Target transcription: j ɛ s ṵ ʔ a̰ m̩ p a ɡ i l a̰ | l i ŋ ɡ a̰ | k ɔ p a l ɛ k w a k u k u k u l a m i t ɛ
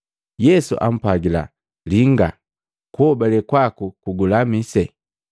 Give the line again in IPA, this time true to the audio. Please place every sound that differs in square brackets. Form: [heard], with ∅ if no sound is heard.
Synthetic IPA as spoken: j ɛ s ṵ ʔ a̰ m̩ p a ɡ i l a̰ | l i ŋ ɡ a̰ | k ɔ [b] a l ɛ k w a k u k u [ɡ] u l a m i [s] ɛ